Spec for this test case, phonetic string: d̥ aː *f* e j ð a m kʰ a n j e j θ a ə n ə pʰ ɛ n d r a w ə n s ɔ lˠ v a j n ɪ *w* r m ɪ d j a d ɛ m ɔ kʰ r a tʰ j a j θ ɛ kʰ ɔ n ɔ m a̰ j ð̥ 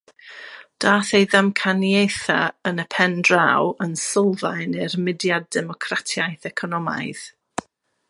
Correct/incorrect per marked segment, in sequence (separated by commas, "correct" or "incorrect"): incorrect, incorrect